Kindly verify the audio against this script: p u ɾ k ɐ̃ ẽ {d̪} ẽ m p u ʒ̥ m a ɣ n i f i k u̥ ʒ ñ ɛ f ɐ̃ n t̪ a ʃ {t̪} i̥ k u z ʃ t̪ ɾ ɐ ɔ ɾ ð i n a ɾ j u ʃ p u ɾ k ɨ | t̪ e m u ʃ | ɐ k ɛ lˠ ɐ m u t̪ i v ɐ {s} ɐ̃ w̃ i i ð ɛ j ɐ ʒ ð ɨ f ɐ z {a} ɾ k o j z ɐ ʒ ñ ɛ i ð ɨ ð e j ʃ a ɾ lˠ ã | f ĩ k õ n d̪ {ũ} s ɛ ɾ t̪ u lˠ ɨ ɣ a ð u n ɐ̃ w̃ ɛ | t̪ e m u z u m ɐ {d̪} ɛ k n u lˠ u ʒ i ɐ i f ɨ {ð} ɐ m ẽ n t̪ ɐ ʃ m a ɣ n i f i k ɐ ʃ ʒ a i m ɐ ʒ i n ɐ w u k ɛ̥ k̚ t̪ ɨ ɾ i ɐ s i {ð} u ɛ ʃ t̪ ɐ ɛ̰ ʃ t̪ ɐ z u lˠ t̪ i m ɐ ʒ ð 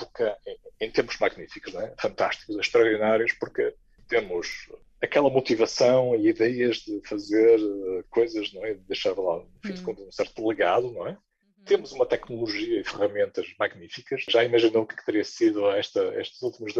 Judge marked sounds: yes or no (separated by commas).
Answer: no, yes, yes, no, yes, no, no, yes